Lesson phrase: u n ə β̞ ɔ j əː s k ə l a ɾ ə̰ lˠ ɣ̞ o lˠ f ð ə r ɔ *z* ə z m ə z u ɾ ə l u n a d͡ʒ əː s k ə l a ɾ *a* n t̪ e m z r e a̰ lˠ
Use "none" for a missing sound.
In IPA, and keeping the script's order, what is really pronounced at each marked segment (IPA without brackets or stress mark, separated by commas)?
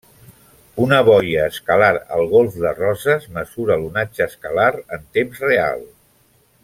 z, ə